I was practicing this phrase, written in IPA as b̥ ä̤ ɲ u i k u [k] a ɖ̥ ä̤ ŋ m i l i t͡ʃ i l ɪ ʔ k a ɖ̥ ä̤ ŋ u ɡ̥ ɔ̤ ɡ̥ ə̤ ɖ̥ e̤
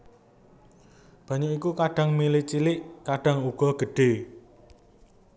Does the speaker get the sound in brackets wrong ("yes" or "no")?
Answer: no